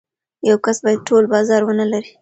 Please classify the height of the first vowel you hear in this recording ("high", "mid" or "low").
low